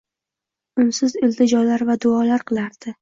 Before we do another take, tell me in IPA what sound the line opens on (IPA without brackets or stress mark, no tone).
ʊ